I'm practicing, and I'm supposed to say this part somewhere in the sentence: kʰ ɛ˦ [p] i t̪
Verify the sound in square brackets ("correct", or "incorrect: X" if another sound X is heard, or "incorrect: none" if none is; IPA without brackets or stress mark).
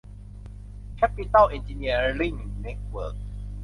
correct